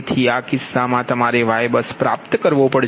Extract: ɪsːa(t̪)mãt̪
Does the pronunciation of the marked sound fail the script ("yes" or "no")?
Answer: yes